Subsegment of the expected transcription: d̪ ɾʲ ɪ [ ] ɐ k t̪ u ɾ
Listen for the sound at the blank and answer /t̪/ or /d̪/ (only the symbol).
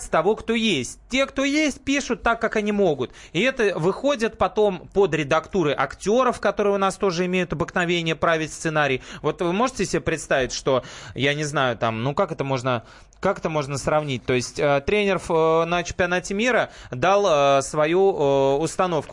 d̪